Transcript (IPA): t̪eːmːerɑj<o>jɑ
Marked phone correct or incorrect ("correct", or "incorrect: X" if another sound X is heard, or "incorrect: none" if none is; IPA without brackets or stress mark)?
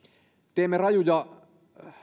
incorrect: u